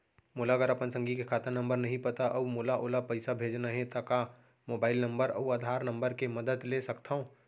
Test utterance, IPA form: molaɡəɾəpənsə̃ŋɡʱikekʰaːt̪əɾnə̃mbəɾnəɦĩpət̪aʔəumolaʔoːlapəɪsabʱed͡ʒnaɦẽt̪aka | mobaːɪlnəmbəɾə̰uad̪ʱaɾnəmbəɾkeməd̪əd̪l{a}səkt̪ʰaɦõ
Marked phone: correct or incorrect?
incorrect